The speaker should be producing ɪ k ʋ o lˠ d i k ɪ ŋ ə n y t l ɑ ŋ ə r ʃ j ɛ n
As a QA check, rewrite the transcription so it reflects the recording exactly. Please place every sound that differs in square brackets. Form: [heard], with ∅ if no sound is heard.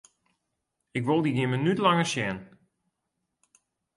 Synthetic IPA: ɪ k ʋ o lˠ d i [ɡ] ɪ [m] ə n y t l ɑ ŋ ə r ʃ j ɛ n